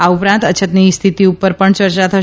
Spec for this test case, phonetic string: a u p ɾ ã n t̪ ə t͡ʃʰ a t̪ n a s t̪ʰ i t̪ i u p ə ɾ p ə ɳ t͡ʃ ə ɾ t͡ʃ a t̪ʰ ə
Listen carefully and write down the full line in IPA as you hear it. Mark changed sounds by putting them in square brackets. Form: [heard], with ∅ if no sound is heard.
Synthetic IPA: a u p ɾ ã n t̪ ə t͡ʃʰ [ə] t̪ n [i] s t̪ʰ i t̪ i u p ə ɾ p ə ɳ t͡ʃ ə ɾ t͡ʃ a t̪ʰ ə